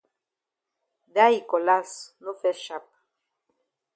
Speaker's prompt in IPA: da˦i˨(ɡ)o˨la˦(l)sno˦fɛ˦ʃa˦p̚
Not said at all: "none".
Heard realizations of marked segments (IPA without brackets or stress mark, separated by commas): k, none